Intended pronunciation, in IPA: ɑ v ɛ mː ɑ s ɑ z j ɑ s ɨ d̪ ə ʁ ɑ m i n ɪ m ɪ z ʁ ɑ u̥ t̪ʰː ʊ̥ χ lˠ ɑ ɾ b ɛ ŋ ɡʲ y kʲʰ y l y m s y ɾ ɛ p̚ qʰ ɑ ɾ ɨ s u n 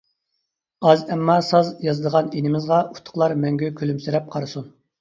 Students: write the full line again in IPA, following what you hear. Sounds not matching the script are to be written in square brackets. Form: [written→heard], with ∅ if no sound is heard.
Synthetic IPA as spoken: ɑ [v→z] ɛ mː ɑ s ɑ z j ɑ [s→z] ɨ d̪ ə ʁ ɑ [m→n] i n ɪ m ɪ z ʁ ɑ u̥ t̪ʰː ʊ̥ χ lˠ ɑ ɾ [b→m] ɛ ŋ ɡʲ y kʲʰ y l y m s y ɾ ɛ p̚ qʰ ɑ ɾ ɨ s u n